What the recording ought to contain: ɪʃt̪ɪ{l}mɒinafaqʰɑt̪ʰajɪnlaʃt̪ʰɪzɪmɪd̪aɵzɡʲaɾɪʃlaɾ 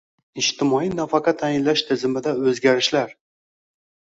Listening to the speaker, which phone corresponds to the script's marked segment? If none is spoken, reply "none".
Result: none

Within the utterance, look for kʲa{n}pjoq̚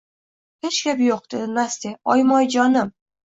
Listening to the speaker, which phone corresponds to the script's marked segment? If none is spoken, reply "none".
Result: none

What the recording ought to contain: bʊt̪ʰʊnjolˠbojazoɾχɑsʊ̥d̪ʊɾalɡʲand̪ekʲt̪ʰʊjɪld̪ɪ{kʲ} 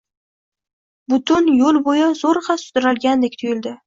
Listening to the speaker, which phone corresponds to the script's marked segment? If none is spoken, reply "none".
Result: none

